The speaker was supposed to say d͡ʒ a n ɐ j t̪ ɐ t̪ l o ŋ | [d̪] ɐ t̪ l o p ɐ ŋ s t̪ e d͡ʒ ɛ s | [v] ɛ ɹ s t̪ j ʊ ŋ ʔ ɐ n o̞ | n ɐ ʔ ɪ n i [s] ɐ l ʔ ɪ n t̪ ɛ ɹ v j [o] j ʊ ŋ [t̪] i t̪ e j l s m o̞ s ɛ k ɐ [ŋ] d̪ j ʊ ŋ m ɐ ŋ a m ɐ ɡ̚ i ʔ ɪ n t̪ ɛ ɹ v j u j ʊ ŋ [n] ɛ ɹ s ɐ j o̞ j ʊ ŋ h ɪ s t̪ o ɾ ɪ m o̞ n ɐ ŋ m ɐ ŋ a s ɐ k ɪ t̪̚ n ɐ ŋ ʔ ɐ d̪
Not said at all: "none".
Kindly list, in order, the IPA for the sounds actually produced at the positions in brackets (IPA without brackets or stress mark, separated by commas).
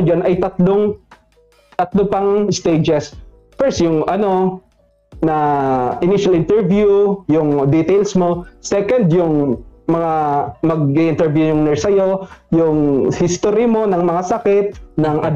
t̪, f, ʃ, u, d̪, n, n